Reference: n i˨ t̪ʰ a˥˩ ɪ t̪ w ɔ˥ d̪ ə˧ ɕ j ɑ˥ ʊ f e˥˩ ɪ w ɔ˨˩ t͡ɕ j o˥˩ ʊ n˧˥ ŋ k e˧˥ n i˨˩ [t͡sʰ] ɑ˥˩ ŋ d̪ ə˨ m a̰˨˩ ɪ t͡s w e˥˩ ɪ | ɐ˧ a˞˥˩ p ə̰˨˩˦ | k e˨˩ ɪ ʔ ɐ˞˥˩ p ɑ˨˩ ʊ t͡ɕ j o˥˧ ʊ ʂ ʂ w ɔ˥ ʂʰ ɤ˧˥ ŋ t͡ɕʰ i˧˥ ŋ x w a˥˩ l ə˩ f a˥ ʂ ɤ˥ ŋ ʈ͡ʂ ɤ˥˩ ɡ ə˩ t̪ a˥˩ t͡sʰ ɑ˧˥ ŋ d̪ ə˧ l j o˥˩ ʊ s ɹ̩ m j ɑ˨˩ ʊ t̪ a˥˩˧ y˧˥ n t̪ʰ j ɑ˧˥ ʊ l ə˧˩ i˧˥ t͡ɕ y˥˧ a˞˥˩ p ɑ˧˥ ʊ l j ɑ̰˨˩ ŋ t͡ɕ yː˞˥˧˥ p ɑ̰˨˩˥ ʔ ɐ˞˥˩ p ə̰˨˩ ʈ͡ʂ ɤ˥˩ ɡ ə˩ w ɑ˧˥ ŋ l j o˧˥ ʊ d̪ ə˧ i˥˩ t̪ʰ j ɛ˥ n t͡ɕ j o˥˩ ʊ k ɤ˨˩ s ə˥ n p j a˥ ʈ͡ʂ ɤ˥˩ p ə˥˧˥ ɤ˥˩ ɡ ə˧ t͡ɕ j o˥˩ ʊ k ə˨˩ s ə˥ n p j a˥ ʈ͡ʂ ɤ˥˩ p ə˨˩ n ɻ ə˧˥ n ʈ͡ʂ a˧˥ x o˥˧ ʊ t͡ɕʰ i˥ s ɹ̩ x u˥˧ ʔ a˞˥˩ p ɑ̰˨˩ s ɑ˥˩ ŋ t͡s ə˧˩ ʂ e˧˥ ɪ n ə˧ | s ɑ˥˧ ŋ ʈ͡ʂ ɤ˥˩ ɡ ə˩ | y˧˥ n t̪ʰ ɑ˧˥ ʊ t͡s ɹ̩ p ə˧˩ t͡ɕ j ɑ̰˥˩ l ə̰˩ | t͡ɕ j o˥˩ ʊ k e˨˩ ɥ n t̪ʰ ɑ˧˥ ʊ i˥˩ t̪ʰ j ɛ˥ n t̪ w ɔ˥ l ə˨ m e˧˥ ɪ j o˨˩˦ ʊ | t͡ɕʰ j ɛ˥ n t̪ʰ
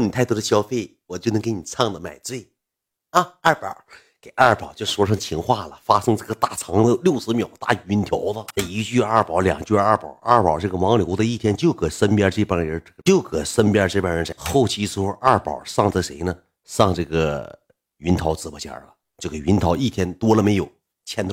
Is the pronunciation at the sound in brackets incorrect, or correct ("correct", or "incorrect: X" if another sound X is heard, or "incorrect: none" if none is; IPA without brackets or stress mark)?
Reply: correct